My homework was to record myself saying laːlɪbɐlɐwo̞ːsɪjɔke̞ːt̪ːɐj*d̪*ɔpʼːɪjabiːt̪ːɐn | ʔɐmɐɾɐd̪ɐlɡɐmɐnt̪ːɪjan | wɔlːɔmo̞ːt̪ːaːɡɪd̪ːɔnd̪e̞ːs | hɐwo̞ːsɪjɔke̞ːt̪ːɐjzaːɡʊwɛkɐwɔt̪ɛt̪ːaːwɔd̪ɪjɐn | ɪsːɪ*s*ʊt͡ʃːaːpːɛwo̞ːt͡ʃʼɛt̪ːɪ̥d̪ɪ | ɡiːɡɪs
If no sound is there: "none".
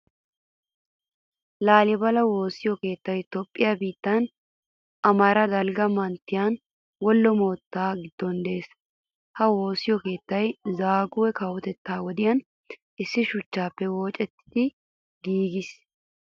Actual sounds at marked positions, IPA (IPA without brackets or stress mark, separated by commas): t̪, ʃ